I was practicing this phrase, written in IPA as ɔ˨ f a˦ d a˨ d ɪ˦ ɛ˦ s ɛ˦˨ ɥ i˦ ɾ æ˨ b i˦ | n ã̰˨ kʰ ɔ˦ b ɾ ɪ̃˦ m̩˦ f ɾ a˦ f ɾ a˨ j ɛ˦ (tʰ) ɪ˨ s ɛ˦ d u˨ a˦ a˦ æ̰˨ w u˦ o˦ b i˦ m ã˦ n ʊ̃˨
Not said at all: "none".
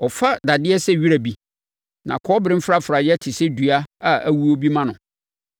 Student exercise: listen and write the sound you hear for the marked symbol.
tʰ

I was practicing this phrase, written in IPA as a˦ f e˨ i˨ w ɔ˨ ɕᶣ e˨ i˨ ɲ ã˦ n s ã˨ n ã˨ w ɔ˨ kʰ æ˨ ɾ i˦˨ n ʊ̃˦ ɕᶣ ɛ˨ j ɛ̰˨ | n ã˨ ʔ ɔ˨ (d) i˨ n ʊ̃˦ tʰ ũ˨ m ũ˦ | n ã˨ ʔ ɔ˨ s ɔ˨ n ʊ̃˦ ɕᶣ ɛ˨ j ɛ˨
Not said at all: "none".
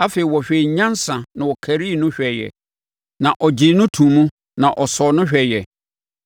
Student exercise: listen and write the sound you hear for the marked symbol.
d͡ʑ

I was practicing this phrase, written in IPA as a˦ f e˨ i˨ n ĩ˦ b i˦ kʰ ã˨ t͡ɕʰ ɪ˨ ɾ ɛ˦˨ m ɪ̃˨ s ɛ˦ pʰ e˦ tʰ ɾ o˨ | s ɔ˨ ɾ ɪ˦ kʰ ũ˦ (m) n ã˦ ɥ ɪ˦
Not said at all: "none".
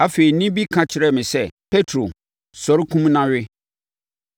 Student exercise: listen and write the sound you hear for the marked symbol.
m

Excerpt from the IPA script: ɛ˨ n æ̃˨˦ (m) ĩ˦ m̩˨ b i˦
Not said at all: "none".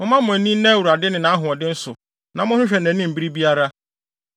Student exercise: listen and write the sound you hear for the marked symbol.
n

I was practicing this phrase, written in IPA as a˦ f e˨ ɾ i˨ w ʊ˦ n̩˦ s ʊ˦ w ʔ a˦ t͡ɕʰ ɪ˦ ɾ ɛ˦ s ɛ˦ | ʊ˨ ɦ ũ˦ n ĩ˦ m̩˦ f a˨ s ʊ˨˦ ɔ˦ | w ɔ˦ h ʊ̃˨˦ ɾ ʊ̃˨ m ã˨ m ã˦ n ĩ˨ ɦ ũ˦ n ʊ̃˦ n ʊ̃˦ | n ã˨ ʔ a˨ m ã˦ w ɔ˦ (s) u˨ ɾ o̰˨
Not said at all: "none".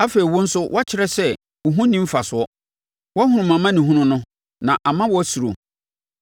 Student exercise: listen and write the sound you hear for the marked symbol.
s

